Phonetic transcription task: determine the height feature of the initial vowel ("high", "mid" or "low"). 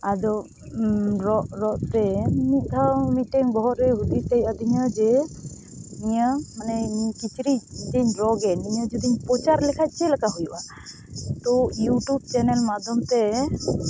low